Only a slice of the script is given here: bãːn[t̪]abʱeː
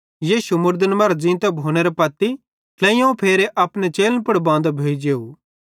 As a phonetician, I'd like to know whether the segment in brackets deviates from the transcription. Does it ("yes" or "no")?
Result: yes